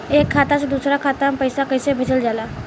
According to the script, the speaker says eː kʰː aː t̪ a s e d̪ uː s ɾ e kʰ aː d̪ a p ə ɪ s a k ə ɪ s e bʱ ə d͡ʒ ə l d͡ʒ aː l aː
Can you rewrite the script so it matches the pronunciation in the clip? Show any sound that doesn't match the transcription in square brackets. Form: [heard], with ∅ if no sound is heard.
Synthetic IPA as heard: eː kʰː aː t̪ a s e d̪ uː s ɾ [a] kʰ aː [t̪] a p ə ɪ s a k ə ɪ s e bʱ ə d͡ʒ ə l d͡ʒ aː l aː